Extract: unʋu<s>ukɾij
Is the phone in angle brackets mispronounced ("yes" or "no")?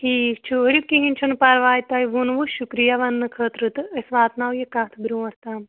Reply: yes